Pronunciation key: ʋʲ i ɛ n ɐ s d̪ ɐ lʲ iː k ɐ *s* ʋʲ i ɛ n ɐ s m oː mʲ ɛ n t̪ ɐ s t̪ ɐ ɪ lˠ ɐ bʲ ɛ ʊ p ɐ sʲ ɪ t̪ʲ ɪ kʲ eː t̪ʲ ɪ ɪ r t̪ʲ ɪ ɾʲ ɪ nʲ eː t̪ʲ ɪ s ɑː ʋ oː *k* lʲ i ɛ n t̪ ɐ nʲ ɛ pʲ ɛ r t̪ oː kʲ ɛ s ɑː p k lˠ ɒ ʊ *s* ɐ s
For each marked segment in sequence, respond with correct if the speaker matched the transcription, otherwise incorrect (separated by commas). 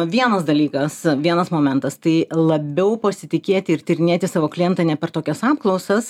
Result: correct, correct, correct